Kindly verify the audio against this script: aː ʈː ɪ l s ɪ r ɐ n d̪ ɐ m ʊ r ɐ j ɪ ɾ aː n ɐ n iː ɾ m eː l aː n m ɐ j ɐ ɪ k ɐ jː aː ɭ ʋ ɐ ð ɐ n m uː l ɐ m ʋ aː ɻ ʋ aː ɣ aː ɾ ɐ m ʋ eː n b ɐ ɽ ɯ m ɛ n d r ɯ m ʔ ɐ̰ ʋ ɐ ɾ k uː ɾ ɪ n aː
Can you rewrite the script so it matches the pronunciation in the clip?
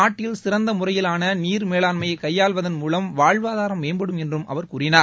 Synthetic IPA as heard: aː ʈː ɪ l s ɪ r ɐ n d̪ ɐ m ʊ r ɐ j ɪ l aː n ɐ n iː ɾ m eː l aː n m ɐ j ɐ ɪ k ɐ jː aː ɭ ʋ ɐ ð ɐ n m uː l ɐ m ʋ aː ɻ ʋ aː ð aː ɾ ɐ m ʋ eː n b ɐ ɽ ɯ m ɛ n d r ɯ m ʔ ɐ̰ ʋ ɐ ɾ k uː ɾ ɪ n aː